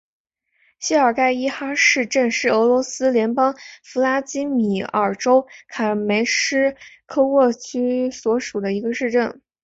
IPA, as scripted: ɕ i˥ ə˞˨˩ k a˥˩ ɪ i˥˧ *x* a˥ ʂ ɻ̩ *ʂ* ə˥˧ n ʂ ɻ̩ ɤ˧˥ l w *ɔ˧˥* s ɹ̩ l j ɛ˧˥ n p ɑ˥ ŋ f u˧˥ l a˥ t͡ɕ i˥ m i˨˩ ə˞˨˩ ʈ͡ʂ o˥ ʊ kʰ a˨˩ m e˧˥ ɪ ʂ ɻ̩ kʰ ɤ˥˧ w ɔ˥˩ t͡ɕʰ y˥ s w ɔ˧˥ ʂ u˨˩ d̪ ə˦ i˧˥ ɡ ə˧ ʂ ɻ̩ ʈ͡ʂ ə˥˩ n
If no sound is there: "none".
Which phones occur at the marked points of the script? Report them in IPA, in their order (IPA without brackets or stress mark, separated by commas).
x, ʈ͡ʂ, ɔ˧˥